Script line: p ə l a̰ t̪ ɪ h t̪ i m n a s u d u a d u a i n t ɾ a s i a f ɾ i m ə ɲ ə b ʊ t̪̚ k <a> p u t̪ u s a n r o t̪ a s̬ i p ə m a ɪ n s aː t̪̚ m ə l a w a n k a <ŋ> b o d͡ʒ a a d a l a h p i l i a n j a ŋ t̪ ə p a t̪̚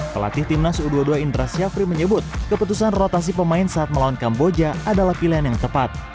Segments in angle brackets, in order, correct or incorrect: incorrect: ə, incorrect: m

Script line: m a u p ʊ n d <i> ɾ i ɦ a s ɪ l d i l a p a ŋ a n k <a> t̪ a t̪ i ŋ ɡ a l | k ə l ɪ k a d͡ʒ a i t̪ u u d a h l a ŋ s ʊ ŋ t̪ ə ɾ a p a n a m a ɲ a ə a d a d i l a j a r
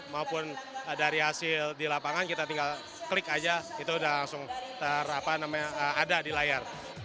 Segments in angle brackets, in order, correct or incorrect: incorrect: a, incorrect: i

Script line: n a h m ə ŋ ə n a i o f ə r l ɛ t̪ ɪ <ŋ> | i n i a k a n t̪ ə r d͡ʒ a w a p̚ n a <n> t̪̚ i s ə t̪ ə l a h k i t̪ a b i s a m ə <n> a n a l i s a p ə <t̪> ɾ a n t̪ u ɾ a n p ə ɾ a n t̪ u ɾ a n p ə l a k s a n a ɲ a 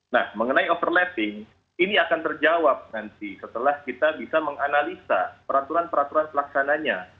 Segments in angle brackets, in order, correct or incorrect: correct, correct, incorrect: ŋ, incorrect: none

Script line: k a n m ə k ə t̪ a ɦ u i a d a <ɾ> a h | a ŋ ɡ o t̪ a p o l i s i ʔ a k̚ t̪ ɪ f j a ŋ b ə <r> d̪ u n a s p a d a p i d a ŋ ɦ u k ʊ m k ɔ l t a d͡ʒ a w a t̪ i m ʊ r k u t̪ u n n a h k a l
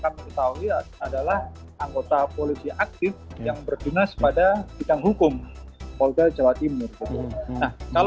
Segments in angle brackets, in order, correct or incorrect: incorrect: l, correct

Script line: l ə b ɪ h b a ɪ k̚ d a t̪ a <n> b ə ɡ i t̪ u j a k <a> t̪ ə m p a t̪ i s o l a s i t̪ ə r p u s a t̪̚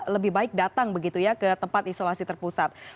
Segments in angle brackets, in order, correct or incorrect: incorrect: ŋ, incorrect: ə

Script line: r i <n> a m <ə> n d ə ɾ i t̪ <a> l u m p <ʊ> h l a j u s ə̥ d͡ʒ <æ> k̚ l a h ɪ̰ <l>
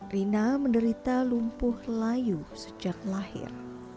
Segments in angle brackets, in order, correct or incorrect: correct, correct, correct, correct, incorrect: a, incorrect: r

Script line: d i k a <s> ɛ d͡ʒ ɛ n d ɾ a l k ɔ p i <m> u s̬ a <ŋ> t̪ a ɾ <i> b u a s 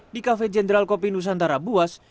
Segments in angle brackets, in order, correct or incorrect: incorrect: f, incorrect: n, incorrect: n, incorrect: a

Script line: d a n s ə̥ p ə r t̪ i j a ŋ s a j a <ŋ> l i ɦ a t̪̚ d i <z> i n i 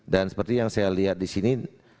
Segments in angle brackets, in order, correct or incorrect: incorrect: none, incorrect: s

